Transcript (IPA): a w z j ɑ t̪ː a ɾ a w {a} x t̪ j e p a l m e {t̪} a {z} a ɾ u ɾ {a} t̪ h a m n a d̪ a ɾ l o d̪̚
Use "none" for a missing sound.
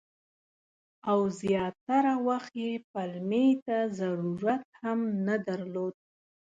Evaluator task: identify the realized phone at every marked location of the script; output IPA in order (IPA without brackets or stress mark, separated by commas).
a, t̪, z, a